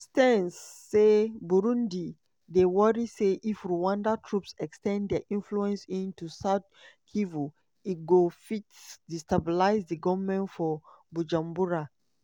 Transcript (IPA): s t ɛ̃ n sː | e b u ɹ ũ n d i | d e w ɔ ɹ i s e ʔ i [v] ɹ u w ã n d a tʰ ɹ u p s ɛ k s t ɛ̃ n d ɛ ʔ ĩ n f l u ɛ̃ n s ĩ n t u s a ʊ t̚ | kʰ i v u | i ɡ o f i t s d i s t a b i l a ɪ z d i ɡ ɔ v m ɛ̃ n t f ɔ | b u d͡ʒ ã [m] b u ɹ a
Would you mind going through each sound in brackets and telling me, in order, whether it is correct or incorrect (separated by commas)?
incorrect, correct